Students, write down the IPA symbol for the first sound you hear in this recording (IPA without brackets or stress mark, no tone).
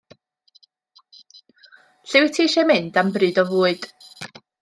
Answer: ɬ